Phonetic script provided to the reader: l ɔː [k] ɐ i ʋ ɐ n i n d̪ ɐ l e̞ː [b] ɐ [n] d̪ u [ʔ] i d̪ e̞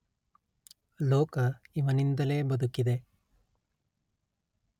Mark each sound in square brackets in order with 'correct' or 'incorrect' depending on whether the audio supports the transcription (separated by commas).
correct, correct, incorrect, incorrect